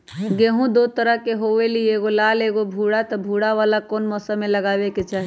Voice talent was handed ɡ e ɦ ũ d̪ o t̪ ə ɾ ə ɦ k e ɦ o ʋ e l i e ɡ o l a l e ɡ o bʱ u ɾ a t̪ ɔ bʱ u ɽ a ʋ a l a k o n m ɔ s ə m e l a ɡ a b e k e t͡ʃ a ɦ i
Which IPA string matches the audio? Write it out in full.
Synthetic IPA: ɡ e ɦ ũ d̪ o t̪ ə ɾ ə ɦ k e ɦ o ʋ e l i e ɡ o l a l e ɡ o bʱ u ɽ a t̪ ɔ bʱ u ɽ a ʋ a l a k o n m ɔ s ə m e l ə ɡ a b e k e t͡ʃ a ɦ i